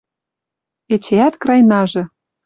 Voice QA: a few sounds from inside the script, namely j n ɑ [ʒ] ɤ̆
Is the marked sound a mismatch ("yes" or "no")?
no